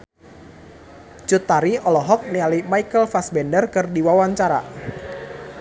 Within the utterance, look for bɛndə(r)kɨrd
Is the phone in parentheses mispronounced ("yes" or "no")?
no